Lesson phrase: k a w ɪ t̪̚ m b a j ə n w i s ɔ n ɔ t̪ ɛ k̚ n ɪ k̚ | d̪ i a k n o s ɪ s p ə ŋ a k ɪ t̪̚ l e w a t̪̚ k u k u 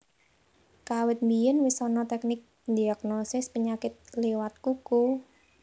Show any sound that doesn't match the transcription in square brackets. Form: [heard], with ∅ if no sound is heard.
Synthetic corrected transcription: k a w ɪ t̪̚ m b [i] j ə n w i s ɔ n ɔ t̪ ɛ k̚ n ɪ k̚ | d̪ i a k n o s ɪ s p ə [ɲ] a k ɪ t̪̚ l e w a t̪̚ k u k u